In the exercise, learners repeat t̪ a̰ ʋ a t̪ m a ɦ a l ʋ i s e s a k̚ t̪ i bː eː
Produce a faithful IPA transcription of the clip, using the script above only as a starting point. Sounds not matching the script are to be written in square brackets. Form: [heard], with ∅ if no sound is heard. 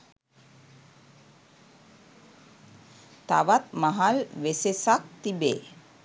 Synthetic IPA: t̪ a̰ ʋ a t̪ m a ɦ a l ʋ [e] s e s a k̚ t̪ i [b] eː